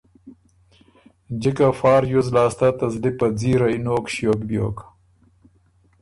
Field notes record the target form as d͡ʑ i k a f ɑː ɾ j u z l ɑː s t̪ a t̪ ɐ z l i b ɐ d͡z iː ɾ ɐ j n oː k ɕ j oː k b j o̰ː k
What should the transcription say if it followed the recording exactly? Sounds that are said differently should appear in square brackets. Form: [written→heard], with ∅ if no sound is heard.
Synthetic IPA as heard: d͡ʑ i k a f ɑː ɾ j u z l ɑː s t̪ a t̪ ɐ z l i [b→p] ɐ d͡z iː ɾ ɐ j n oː k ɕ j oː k b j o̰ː k